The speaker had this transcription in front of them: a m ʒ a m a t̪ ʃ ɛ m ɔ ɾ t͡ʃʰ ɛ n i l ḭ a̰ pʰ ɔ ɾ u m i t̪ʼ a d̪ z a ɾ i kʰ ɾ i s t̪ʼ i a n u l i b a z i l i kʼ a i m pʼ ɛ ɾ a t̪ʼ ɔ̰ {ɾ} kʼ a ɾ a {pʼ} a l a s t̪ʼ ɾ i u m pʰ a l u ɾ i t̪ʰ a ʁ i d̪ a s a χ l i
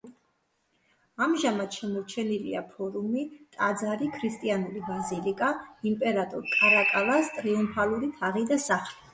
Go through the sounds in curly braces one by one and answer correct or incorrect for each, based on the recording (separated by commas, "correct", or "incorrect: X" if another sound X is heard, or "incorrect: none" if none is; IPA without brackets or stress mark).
correct, incorrect: kʼ